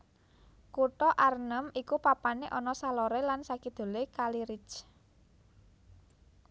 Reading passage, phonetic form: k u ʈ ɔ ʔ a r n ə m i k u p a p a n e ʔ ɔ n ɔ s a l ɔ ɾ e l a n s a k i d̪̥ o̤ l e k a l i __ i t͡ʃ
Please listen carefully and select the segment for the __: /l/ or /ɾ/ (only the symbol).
ɾ